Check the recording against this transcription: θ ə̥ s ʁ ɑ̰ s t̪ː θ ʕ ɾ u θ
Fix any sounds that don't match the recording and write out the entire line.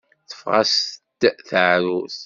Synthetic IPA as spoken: θ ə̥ f ʁ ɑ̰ s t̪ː θ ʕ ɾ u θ